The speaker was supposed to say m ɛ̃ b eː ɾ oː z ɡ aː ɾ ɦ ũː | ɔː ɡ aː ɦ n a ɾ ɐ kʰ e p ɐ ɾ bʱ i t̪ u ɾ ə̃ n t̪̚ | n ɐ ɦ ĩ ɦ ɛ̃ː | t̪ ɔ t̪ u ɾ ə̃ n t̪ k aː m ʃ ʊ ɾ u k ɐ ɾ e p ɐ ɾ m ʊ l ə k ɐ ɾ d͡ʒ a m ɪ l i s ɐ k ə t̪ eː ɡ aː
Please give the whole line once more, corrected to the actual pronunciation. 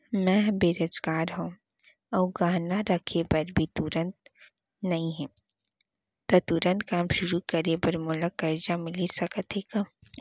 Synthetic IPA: m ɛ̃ b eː ɾ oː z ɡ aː ɾ ɦ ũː | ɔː ɡ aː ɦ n a ɾ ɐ kʰ e p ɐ ɾ bʱ i t̪ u ɾ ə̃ n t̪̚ | n ɐ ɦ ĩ ɦ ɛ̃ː | t̪ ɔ t̪ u ɾ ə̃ n t̪ k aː m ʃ ʊ ɾ u k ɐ ɾ e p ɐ ɾ m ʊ l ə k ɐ ɾ d͡ʒ a m ɪ l i s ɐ k ə t̪ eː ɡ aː